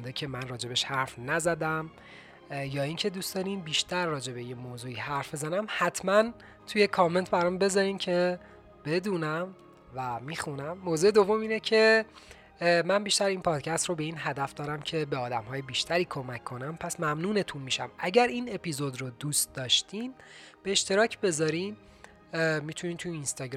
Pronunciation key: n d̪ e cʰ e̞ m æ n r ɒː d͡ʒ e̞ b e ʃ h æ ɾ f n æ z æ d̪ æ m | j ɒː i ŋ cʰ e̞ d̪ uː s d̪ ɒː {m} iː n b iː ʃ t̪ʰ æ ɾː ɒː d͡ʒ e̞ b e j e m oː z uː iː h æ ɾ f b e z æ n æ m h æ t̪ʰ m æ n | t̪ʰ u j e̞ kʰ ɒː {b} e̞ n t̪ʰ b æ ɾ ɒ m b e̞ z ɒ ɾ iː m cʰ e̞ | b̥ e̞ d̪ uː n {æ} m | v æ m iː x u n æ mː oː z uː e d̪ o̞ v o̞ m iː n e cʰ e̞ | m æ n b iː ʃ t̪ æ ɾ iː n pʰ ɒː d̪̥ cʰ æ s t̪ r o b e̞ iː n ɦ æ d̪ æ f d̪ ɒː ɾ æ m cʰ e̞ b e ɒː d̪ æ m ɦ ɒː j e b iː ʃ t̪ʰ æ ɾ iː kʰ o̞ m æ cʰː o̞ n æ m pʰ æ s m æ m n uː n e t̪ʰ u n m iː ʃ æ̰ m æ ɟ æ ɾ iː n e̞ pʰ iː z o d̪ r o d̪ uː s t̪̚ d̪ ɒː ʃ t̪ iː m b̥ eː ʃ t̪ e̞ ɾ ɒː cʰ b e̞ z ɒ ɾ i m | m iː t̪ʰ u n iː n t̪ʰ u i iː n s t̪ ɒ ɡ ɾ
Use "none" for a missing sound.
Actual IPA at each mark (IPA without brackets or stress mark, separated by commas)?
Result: n, m, æ